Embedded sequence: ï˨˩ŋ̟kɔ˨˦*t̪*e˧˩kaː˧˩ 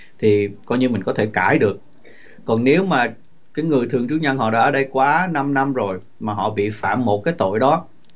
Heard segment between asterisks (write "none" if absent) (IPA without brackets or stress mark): t̪ʰ